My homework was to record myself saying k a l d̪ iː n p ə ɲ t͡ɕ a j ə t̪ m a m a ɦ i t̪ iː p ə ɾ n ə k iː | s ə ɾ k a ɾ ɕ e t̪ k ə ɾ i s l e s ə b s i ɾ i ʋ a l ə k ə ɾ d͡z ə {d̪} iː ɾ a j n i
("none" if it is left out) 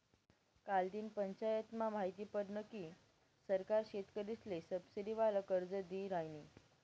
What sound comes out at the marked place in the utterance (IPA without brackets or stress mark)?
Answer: d̪